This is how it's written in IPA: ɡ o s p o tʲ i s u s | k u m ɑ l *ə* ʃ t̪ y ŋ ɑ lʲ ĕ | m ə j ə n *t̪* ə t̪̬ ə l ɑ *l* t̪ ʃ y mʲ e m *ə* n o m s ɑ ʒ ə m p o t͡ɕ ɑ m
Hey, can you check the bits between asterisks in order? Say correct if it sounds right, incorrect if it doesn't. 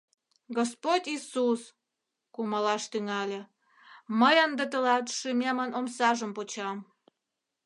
incorrect: ɑ, incorrect: d̪, incorrect: none, correct

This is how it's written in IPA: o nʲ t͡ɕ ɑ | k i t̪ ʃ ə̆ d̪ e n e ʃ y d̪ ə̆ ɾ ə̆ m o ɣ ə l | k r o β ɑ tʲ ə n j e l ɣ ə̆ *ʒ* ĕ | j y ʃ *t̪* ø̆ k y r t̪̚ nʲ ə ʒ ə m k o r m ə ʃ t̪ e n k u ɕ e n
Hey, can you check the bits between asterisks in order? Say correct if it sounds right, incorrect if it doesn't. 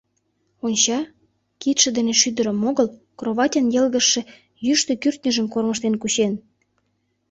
incorrect: ʃ, correct

